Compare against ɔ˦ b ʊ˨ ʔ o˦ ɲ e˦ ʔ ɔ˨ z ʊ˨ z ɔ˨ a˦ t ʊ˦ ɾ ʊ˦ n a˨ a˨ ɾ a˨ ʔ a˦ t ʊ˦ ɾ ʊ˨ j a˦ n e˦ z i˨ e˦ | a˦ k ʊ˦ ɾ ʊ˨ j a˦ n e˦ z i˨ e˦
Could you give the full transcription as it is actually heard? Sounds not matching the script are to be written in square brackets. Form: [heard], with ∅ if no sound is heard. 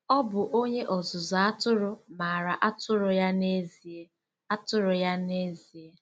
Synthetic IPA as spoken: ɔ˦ b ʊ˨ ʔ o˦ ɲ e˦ ʔ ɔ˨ z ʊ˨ z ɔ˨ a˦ t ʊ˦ ɾ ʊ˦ [m] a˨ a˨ ɾ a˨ ʔ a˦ t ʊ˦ ɾ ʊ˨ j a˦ n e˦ z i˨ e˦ | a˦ [t] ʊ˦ ɾ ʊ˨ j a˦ n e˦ z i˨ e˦